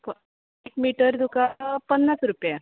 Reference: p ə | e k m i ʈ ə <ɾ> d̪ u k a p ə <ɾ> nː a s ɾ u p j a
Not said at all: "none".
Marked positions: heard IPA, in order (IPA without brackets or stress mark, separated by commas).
ɾ, none